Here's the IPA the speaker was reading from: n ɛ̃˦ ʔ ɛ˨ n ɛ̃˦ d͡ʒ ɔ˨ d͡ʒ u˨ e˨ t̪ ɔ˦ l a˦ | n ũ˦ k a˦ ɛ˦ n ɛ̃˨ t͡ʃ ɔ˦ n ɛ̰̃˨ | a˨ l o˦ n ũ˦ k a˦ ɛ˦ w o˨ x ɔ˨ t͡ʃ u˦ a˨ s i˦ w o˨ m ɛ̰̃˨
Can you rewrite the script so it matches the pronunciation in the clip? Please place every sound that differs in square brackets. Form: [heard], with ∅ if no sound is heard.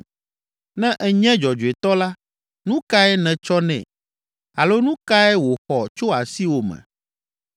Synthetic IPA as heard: n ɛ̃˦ ʔ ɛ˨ [ɲ] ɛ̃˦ d͡ʒ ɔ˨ d͡ʒ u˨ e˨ t̪ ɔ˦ l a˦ | n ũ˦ k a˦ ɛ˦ n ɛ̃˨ t͡ʃ ɔ˦ n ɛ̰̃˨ | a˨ l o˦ n ũ˦ k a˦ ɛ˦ w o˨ x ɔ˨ t͡ʃ [o˦] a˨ s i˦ w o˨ m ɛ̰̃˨

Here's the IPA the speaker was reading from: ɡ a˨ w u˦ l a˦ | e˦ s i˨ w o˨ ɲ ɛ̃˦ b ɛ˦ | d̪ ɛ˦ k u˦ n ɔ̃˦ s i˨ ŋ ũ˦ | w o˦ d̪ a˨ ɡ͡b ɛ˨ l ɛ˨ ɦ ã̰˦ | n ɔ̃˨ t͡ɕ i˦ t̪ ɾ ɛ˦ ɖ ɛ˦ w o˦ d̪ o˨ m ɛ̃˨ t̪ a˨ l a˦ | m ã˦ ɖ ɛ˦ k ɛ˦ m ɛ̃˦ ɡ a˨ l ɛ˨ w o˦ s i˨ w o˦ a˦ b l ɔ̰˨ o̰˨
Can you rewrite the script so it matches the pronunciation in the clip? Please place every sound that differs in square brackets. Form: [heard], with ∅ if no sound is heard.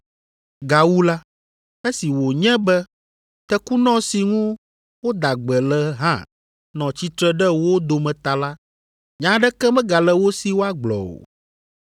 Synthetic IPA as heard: ɡ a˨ w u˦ l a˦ | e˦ s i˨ w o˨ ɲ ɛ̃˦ b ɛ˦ | [t̪] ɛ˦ k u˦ n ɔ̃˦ s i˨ ŋ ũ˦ | w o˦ d̪ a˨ ɡ͡b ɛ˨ l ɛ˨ ɦ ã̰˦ | n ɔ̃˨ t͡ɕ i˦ t̪ ɾ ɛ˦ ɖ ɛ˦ w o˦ d̪ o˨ m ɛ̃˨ t̪ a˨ l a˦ | [ɲ] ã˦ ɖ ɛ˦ k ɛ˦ m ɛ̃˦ ɡ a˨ l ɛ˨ w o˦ s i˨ w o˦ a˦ [ɡ͡b] l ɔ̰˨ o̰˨

